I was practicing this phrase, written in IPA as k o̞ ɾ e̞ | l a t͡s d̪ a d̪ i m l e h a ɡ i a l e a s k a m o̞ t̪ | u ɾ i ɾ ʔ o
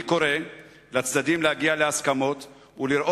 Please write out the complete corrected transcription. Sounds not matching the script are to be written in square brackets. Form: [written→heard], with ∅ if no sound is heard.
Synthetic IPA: k o̞ ɾ e̞ | l a t͡s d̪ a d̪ i m l e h a ɡ i a l e a s k a m o̞ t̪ | u [ɾ→l] i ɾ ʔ o